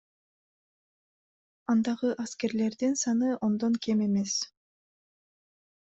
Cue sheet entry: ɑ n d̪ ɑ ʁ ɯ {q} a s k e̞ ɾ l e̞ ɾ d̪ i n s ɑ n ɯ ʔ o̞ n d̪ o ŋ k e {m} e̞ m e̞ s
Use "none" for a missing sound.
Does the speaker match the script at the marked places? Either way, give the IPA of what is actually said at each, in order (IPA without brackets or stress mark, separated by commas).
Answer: ʔ, m